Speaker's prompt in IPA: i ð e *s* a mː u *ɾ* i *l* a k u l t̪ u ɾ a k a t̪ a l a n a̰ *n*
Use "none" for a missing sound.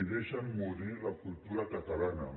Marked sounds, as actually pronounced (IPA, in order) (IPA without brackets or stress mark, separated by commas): ʃ, ɾ, l, none